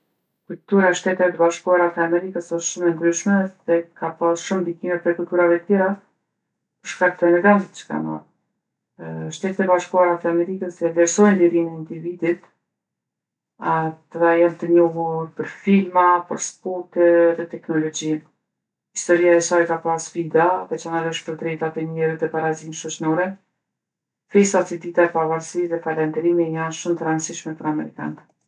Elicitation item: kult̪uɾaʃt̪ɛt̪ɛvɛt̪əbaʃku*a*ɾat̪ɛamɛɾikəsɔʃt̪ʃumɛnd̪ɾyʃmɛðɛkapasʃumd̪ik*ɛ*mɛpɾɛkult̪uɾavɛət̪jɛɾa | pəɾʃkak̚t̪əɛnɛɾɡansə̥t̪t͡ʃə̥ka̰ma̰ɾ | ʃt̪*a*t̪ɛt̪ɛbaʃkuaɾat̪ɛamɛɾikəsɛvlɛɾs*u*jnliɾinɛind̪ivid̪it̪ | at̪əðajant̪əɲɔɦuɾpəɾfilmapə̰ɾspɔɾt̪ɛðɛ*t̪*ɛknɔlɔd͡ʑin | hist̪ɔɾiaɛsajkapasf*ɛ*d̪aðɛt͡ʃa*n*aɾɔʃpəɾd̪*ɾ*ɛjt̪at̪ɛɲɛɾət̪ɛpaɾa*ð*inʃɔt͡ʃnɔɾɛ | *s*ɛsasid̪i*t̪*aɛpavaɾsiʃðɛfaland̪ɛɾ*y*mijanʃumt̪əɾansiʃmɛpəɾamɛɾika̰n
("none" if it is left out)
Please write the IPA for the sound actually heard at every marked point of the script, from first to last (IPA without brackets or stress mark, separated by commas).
a, i, ɛ, ɔ, t̪, i, n, ɾ, z, f, t̪, i